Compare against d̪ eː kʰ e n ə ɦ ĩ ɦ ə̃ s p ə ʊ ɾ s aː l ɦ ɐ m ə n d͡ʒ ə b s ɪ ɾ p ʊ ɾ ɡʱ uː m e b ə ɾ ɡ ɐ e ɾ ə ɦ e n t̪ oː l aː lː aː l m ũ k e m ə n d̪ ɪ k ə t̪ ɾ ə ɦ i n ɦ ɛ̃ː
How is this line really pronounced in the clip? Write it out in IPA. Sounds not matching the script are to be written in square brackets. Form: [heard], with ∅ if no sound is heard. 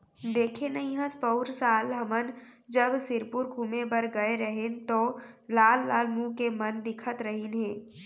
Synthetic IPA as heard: d̪ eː kʰ e n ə ɦ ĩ ɦ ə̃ s p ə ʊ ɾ s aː l ɦ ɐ m ə n d͡ʒ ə b s ɪ ɾ p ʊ ɾ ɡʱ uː m e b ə ɾ ɡ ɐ e ɾ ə ɦ e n t̪ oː l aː lː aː l m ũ k e m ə n d̪ ɪ [kʰ] ə t̪ ɾ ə ɦ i n ɦ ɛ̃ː